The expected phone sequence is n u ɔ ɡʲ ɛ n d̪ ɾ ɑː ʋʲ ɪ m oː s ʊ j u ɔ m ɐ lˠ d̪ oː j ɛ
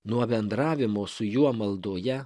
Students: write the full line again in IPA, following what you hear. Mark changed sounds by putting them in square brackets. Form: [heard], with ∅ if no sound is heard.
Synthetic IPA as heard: n u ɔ [bʲ] ɛ n d̪ ɾ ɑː ʋʲ ɪ m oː s ʊ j u ɔ m ɐ lˠ d̪ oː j ɛ